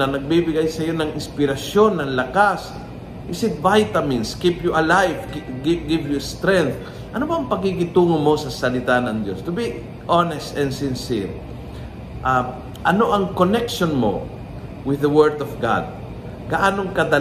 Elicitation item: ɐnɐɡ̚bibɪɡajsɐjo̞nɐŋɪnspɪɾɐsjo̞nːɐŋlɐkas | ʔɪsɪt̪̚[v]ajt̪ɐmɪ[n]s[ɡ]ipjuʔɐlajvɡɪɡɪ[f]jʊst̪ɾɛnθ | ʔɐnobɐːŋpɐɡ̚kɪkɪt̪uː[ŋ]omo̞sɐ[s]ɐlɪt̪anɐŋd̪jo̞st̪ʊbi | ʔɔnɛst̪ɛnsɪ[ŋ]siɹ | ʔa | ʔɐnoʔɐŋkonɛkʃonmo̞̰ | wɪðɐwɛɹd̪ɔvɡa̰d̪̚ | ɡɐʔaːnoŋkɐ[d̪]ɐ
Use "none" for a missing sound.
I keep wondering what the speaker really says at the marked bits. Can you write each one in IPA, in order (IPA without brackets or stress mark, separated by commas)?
v, n, k, v, ŋ, s, n, d̪